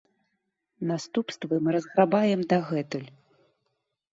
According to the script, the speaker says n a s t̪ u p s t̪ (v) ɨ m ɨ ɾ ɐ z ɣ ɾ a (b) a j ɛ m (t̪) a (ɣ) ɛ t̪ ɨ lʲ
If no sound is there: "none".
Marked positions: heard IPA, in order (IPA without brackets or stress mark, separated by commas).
v, b, d̪, ɣ